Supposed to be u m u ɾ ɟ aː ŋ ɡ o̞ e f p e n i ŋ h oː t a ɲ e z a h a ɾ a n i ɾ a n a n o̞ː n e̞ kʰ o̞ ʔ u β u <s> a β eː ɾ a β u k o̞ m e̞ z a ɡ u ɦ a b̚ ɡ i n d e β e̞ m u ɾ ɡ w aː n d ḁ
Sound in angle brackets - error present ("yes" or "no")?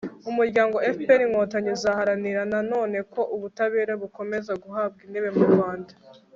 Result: yes